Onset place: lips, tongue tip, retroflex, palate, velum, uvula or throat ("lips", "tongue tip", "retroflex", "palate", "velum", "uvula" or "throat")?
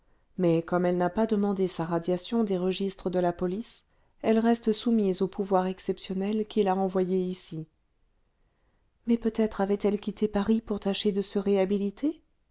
lips